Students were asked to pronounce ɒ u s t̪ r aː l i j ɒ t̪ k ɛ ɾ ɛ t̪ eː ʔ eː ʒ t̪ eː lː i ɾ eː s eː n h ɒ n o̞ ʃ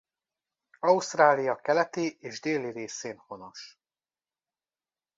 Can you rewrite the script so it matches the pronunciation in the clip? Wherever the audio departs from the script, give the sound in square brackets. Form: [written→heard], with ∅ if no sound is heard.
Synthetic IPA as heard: ɒ u s t̪ r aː l i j ɒ [t̪→∅] k ɛ [ɾ→l] ɛ t̪ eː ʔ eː ʒ [t̪→d̪] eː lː i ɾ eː s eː n h [ɒ→o] n o̞ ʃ